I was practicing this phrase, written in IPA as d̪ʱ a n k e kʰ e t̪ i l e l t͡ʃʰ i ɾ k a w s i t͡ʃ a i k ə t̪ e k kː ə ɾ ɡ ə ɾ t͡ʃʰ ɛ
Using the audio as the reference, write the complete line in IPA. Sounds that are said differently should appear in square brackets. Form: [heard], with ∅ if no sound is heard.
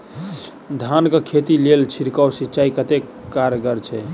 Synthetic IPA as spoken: d̪ʱ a n k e kʰ e t̪ i l e l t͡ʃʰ i ɾ k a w s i t͡ʃ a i k ə t̪ e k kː [a] ɾ ɡ ə ɾ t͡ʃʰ ɛ